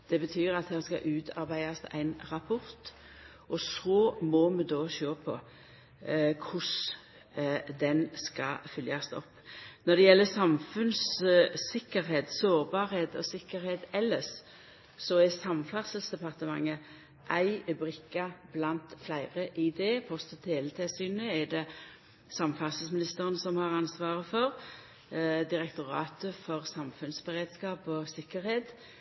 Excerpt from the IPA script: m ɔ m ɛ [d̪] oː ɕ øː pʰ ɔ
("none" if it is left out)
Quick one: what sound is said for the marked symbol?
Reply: d̪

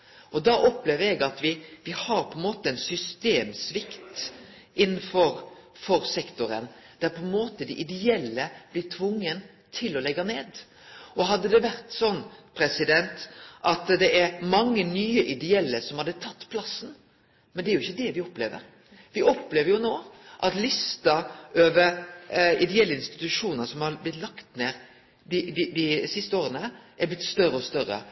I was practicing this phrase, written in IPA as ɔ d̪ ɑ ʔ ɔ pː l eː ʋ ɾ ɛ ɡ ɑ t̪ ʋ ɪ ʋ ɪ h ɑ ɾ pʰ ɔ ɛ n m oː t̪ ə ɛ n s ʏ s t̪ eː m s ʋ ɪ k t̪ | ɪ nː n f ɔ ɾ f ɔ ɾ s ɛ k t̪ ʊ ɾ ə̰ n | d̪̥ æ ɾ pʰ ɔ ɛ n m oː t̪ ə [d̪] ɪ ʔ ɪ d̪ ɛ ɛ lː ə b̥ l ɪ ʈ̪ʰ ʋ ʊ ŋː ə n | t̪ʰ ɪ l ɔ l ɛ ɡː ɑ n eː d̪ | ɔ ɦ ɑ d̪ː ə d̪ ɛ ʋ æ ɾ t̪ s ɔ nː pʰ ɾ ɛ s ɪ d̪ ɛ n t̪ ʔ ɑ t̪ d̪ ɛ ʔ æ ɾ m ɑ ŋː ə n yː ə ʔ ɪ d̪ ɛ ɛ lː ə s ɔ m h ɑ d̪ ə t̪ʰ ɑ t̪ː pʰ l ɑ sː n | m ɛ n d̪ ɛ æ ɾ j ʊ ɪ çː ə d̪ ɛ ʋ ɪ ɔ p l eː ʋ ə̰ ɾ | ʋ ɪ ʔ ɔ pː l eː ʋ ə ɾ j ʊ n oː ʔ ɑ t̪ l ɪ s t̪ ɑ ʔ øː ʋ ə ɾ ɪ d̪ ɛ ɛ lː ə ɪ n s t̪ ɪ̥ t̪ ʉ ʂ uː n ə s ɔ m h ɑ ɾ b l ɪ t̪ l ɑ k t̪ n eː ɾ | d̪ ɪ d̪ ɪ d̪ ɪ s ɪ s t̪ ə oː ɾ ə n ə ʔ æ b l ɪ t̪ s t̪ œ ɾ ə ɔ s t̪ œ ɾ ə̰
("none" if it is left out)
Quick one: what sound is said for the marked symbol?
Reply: d̪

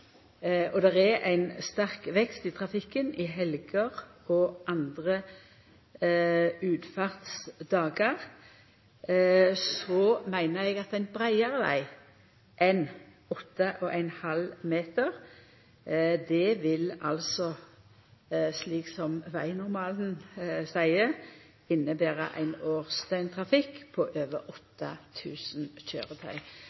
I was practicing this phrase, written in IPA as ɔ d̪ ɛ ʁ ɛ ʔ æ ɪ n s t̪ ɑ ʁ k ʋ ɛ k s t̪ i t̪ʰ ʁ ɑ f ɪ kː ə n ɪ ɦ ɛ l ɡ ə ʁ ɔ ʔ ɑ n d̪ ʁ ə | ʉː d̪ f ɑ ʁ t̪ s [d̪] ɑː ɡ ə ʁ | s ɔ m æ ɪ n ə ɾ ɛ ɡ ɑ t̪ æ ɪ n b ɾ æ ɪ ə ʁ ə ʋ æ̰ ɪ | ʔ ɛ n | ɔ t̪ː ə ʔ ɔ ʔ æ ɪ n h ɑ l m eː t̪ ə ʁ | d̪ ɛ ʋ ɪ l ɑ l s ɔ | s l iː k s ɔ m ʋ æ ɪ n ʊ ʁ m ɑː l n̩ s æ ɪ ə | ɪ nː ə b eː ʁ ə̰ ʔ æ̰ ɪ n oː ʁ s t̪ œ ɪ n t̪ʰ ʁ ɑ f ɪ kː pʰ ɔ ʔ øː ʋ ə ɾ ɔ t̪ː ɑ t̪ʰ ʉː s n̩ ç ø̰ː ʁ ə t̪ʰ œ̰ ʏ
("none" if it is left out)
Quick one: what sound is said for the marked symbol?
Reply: d̪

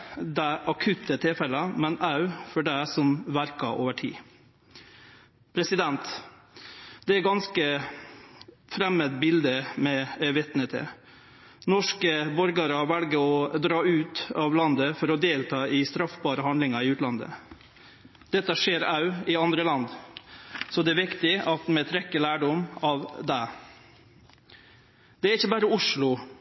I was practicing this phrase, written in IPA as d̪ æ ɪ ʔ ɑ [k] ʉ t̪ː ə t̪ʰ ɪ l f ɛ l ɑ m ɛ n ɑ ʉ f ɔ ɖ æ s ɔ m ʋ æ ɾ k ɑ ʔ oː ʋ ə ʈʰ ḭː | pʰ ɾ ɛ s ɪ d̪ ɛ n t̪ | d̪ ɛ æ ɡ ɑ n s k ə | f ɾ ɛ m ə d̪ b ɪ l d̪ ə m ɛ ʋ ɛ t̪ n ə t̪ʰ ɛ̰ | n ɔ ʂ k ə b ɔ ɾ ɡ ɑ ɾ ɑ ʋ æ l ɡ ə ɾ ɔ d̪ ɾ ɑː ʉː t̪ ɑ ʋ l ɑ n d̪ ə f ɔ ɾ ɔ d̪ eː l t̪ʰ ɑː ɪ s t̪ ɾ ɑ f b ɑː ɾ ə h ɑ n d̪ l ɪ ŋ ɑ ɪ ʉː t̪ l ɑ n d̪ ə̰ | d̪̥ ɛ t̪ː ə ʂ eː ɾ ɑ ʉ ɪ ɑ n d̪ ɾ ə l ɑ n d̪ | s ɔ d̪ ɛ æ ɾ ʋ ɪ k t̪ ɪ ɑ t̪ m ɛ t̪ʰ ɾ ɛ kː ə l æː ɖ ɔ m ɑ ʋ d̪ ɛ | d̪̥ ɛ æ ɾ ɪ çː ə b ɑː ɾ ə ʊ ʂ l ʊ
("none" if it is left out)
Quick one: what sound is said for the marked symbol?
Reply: kʰ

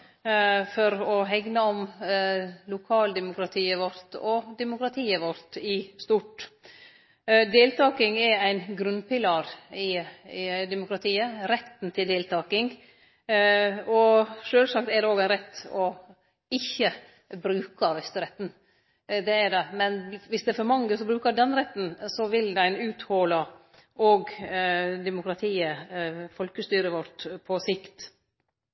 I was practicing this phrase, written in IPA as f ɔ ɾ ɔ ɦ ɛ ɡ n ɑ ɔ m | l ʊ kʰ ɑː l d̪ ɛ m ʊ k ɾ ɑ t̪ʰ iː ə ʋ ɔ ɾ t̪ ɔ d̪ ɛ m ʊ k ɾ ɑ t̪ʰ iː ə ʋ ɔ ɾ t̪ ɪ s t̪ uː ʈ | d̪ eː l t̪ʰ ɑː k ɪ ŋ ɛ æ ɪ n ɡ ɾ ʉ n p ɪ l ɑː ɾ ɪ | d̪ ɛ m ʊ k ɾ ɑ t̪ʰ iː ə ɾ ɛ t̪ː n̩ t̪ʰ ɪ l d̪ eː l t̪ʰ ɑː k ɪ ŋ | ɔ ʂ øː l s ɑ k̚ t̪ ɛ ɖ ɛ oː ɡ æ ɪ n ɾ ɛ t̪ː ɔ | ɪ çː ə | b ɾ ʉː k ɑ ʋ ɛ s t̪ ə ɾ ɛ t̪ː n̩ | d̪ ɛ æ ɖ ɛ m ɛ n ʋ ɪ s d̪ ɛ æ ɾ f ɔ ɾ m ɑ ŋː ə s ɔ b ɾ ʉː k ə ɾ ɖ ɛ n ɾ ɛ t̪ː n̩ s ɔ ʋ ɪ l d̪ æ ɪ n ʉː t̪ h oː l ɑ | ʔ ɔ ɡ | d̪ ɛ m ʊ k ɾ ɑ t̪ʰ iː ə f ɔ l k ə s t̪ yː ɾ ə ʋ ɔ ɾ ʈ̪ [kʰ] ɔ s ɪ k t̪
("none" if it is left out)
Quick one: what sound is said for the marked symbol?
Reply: pʰ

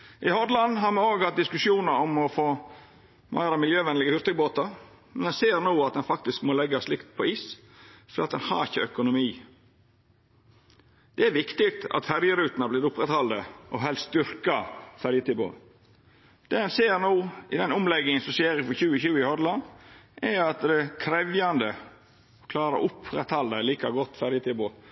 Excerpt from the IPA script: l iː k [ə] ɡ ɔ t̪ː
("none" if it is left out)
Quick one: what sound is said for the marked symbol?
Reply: ɑ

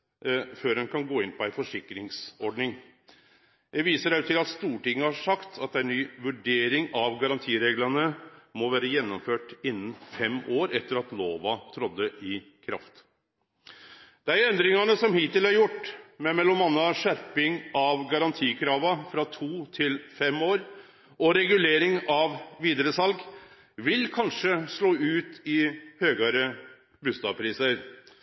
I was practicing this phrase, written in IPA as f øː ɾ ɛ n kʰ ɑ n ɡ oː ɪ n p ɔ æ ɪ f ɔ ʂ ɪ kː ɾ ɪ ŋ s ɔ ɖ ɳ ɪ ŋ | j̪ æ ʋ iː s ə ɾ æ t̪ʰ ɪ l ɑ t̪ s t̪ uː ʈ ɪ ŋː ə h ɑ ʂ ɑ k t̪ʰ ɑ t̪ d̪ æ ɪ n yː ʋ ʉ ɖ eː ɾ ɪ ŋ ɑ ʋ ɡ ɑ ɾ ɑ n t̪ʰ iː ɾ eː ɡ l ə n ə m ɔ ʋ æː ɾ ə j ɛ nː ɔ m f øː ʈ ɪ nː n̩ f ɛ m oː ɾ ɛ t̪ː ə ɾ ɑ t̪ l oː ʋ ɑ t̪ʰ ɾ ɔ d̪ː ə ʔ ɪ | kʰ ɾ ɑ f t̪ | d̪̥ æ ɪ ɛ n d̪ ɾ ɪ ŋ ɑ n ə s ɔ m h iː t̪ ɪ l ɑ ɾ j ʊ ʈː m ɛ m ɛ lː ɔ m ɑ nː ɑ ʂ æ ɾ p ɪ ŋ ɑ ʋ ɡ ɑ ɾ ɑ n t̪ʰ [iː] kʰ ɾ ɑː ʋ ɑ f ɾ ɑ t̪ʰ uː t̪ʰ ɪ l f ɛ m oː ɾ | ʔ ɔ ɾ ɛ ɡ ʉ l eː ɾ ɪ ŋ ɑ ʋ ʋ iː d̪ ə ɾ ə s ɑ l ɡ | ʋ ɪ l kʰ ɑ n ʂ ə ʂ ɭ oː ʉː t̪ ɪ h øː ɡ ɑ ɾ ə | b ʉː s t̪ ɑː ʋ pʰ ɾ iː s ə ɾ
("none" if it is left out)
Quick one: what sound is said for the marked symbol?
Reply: iː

